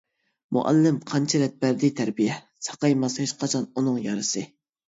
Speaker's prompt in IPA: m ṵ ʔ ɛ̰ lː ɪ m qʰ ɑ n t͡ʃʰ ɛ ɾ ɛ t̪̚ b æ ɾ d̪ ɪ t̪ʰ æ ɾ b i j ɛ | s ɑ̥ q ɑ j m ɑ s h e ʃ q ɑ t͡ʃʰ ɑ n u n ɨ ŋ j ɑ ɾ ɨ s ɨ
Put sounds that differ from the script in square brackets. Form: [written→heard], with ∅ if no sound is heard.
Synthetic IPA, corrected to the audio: m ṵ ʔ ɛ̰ lː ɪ m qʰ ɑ n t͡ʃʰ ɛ ɾ ɛ t̪̚ b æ ɾ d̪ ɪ t̪ʰ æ ɾ b i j ɛ | s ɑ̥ q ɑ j m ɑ s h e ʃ q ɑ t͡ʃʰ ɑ n u n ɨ ŋ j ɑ ɾ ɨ s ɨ